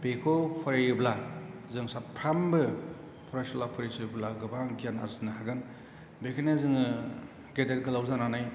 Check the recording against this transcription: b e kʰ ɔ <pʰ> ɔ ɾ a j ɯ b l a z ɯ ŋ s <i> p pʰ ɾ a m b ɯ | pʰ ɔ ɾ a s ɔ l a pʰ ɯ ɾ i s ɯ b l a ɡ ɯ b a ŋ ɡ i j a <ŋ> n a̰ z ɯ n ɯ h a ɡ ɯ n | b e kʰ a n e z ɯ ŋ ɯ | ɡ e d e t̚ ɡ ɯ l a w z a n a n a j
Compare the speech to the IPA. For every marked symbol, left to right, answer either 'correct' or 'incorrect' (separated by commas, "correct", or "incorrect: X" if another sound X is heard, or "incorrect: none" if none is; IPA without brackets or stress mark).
correct, incorrect: a, incorrect: none